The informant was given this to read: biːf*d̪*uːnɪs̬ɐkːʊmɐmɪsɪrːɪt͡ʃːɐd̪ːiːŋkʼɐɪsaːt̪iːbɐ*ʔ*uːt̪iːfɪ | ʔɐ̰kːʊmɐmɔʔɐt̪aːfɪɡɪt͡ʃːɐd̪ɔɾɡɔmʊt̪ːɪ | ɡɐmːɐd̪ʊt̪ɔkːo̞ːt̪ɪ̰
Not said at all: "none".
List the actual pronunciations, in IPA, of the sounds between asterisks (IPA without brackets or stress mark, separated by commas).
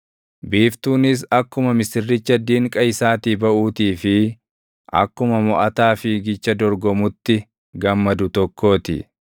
t̪, ʔ